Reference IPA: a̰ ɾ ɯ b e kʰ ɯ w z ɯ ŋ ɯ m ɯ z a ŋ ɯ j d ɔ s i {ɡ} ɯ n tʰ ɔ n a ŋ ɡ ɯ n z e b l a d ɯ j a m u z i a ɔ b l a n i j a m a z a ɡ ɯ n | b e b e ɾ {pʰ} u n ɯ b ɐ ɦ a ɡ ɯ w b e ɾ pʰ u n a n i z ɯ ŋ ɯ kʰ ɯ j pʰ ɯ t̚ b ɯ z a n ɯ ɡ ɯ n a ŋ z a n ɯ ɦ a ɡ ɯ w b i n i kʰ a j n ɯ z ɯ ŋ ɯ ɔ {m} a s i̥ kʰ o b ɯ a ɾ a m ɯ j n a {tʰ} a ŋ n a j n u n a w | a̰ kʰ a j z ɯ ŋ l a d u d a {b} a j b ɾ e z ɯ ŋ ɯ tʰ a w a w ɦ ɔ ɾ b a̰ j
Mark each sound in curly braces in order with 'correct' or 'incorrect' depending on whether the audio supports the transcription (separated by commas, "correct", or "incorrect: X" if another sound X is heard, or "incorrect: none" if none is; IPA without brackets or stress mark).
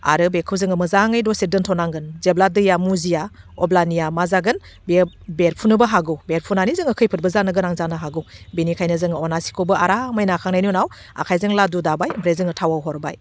incorrect: d, correct, incorrect: n, incorrect: kʰ, correct